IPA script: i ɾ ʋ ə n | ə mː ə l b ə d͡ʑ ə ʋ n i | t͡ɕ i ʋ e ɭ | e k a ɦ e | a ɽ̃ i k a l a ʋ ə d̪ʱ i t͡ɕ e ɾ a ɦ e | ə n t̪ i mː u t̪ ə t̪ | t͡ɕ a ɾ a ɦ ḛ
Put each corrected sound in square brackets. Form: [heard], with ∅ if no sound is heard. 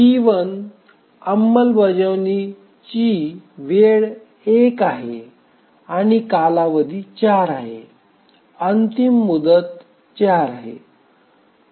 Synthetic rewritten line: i [∅] ʋ ə n | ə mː ə l b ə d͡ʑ ə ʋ n i | t͡ɕ i ʋ e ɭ | e k a ɦ e | a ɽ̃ i k a l a ʋ ə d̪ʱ i t͡ɕ [a] ɾ a ɦ e | ə n t̪ i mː u [d̪] ə t̪ | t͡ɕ a ɾ a ɦ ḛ

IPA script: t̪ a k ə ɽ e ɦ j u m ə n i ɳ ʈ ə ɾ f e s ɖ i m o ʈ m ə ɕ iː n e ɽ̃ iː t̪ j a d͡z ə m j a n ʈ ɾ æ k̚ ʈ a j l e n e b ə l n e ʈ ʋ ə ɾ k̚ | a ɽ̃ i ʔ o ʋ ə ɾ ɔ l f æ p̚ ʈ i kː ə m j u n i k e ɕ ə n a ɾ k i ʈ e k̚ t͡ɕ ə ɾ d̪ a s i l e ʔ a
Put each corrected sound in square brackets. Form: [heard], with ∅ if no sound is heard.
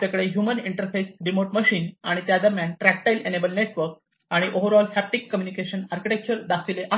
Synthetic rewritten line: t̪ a k ə ɽ e ɦ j u m ə n i ɳ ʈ ə ɾ f e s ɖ i m o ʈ m ə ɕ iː n [a] ɽ̃ [i] t̪ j a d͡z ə m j a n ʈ ɾ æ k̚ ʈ a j l e n e b ə l n e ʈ ʋ ə ɾ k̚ | a ɽ̃ i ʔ o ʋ ə ɾ ɔ l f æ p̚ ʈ i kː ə m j u n i k e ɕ ə n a ɾ k i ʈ e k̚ t͡ɕ ə ɾ d̪ a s i l e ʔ a

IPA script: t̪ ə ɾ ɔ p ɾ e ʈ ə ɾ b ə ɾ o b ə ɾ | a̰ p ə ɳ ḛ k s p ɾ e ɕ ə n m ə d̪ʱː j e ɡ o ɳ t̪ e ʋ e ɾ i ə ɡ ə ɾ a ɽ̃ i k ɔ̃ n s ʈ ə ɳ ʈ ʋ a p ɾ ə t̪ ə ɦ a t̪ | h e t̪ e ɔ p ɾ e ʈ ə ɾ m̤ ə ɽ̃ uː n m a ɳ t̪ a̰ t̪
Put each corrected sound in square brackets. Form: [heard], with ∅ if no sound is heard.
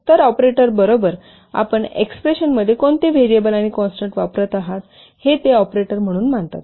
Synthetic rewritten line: t̪ ə ɾ ɔ p ɾ e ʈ ə ɾ b ə ɾ o b ə ɾ | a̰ p ə ɳ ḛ k s p ɾ e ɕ ə n m ə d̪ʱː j e [k] o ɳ t̪ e ʋ e ɾ i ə [b] ə [l] a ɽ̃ i k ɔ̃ n s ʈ ə ɳ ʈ ʋ a p ɾ ə t̪ [a] ɦ a t̪ | h e t̪ e ɔ p ɾ e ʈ ə ɾ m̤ ə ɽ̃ uː n m a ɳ t̪ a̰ t̪

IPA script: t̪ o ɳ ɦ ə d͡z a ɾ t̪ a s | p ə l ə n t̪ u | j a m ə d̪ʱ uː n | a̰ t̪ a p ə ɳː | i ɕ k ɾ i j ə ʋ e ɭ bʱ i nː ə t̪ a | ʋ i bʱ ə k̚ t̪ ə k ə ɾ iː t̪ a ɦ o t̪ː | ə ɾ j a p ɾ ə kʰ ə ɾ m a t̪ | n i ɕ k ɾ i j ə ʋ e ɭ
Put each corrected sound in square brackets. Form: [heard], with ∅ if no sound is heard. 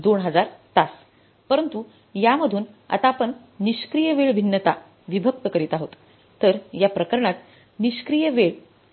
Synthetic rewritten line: [d̪] o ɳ ɦ ə d͡z a ɾ t̪ a s | p ə [ɾ] ə n t̪ u | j a m ə d̪ʱ uː n | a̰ t̪ a p ə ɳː | i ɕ k ɾ i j ə ʋ e ɭ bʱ i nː ə t̪ a | ʋ i bʱ ə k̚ t̪ ə k ə ɾ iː t̪ a ɦ o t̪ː | ə ɾ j a p ɾ ə [k] ə ɾ [ɳ] a t̪ | n i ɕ k ɾ i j ə ʋ e ɭ

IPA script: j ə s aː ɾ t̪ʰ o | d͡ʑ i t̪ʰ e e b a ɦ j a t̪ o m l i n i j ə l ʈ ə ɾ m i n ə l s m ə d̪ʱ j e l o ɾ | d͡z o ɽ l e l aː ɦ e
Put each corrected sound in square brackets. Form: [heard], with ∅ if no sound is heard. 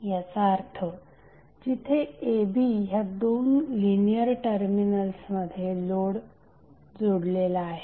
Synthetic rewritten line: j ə s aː ɾ t̪ʰ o | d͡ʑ i t̪ʰ e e b [i] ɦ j a [d̪] o [n] l i n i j ə [ɾ] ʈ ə ɾ m i n ə l s m ə d̪ʱ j e l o [ɽ] | d͡z o ɽ l e l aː ɦ e

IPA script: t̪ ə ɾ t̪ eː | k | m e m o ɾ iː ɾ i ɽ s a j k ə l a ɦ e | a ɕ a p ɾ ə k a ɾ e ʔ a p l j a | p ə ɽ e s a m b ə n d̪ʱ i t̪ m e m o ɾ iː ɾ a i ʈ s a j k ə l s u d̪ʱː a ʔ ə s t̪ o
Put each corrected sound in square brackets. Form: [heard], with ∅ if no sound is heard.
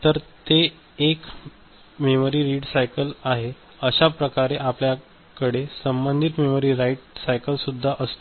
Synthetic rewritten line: t̪ ə ɾ t̪ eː | k | m e m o ɾ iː ɾ i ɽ s a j k ə l a ɦ e | [ə] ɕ a p ɾ ə k a ɾ e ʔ a p l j a | [k] ə ɽ e s [ə] m b ə n d̪ʱ i t̪ m e m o ɾ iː ɾ a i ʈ s a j k ə l s u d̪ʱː a ʔ ə s t̪ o

